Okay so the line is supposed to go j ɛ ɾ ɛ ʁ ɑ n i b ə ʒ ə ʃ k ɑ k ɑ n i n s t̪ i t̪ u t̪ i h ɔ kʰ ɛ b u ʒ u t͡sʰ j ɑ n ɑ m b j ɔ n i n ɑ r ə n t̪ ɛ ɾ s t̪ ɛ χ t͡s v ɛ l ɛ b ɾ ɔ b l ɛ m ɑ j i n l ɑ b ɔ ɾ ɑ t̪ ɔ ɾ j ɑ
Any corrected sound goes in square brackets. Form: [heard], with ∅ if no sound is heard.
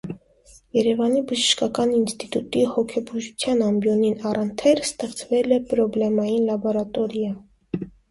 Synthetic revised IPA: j ɛ ɾ ɛ [v] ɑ n i b ə ʒ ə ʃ k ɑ k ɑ n i n s t̪ i t̪ u t̪ i h ɔ kʰ ɛ b u ʒ u t͡sʰ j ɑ n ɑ m b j ɔ n i n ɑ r ə n [t̪ʰ] ɛ ɾ s t̪ ɛ χ t͡s v ɛ l ɛ [p] ɾ ɔ b l ɛ m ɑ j i n l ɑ b ɔ ɾ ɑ t̪ ɔ ɾ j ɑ

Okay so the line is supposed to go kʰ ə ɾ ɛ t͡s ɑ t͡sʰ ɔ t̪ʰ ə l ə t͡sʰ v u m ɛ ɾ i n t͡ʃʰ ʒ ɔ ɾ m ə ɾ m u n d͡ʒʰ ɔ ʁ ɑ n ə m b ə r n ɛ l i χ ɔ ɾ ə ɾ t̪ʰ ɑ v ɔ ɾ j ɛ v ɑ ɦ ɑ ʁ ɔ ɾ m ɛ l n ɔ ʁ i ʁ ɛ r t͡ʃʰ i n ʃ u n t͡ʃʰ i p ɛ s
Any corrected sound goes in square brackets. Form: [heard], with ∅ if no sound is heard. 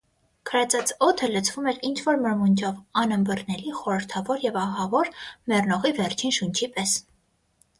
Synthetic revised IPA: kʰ ə ɾ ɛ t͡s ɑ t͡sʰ ɔ t̪ʰ ə l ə t͡sʰ v u m ɛ ɾ i n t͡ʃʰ [v] ɔ ɾ m ə ɾ m u n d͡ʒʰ ɔ [v] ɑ n ə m b ə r n ɛ l i χ ɔ ɾ ə ɾ t̪ʰ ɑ v ɔ ɾ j ɛ v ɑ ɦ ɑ [v] ɔ ɾ m ɛ [r] n ɔ ʁ i [v] ɛ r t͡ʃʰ i n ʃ u n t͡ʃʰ i p ɛ s

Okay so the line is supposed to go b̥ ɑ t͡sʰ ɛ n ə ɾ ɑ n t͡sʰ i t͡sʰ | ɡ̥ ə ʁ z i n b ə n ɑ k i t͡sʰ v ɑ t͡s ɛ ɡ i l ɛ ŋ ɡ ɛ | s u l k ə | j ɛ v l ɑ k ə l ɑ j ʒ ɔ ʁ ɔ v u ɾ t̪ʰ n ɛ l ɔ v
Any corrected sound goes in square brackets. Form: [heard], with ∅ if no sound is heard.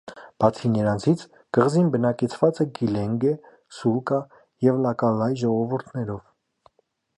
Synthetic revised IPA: b̥ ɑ t͡sʰ [i] n ə ɾ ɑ n t͡sʰ i t͡sʰ | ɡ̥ ə ʁ z i n b ə n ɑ k [ɛ] t͡sʰ v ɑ t͡s ɛ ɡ i l ɛ ŋ ɡ ɛ | s u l k [ɑ] | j ɛ v l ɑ k [ɑ] l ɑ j ʒ ɔ ʁ ɔ v u ɾ t̪ʰ n ɛ [ɾ] ɔ v

